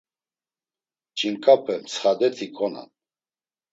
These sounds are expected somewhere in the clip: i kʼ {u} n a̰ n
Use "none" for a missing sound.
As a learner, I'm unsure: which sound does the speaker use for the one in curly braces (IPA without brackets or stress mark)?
ɔ